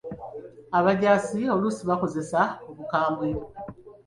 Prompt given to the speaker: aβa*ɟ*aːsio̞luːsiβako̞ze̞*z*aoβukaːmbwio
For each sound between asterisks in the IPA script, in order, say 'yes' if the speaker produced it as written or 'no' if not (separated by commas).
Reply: yes, no